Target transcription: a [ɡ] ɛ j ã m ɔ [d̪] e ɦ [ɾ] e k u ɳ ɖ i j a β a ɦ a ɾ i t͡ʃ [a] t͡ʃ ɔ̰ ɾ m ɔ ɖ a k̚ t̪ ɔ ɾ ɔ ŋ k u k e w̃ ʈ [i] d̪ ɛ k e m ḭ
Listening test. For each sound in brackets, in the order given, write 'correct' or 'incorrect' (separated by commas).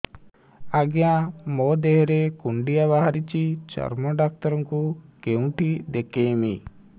correct, correct, correct, incorrect, correct